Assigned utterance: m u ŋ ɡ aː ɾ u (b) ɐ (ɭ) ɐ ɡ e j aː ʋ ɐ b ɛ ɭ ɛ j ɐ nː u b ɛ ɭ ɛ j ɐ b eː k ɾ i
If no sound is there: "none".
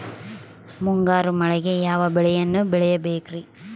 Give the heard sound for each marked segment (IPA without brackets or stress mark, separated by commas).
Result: m, ɭ